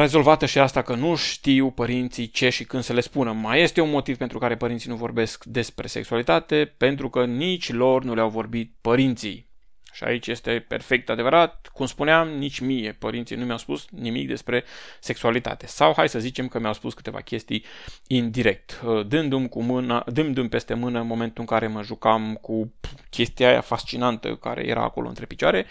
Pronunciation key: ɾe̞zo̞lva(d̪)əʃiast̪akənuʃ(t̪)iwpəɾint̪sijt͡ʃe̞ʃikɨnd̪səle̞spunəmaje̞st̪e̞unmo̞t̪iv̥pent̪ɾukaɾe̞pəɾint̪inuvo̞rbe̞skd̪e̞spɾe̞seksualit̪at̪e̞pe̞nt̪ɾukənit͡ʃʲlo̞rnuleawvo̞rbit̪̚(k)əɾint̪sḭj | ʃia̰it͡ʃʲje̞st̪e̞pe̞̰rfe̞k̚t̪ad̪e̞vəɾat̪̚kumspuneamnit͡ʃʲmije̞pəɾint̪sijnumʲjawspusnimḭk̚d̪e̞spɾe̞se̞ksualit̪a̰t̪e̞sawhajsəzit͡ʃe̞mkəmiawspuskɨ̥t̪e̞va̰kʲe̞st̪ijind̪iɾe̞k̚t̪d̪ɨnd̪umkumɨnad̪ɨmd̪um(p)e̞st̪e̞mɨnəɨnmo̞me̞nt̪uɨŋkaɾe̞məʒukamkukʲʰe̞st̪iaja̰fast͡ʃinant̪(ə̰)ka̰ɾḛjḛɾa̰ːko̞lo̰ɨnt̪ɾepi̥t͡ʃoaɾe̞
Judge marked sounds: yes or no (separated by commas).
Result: no, yes, no, yes, yes